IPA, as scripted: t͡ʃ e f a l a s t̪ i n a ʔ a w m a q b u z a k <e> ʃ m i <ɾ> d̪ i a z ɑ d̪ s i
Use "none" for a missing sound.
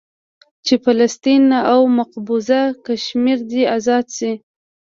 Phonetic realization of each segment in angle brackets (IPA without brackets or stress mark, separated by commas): a, ɾ